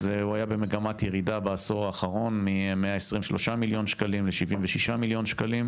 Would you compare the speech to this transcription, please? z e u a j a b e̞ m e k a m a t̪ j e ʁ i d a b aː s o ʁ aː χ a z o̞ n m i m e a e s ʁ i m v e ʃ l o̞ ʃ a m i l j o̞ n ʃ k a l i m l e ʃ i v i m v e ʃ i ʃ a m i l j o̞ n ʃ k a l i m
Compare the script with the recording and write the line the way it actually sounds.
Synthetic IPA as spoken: z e u a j a b e̞ m e ɡ a m a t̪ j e ʁ i d a b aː s o ʁ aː χ a ʁ o̞ n m i m e a e s ʁ i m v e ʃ l o̞ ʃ a m i l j o̞ n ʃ k a l i m l e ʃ i v i m v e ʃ i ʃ a m i l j o̞ n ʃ k a l i m